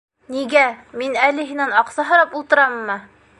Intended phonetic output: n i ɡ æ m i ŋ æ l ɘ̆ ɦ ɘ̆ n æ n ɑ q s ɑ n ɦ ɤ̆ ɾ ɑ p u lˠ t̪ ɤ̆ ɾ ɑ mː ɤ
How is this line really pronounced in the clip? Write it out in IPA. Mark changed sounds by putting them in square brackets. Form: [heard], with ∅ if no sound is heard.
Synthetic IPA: n i ɡ æ m i [n] æ l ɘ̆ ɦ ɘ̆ n æ n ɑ q s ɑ [∅] ɦ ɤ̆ ɾ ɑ p u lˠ t̪ ɤ̆ ɾ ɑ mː ɤ